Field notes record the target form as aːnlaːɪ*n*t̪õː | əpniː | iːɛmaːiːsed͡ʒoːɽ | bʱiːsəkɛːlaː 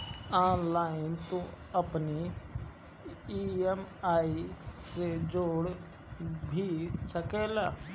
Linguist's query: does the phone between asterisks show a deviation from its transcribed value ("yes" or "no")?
no